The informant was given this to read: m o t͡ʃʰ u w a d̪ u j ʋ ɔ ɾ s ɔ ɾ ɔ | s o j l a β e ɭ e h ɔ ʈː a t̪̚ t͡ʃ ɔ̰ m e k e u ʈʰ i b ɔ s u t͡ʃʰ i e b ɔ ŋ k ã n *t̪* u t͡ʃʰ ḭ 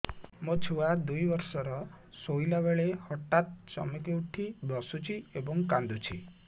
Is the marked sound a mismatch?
yes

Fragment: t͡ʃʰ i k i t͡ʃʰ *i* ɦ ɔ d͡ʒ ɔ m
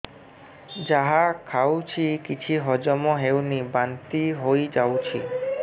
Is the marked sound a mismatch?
no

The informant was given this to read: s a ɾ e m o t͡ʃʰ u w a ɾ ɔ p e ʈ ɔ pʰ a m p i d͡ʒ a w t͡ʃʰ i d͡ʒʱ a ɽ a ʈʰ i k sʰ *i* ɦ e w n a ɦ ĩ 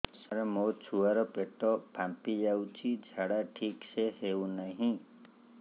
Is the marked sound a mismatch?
yes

